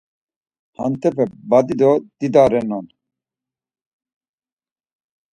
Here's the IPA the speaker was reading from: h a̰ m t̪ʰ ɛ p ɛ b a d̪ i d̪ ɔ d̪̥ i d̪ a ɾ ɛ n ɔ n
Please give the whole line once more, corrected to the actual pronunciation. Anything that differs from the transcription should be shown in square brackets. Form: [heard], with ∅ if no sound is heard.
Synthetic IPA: h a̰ [n] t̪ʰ ɛ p ɛ b a d̪ i d̪ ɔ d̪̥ i d̪ a ɾ ɛ n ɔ n